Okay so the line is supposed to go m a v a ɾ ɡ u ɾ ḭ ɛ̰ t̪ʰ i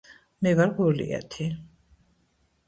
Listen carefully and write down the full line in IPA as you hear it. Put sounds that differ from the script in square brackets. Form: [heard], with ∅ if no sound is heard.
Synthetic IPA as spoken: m [ɛ] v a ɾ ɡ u [l] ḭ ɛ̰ t̪ʰ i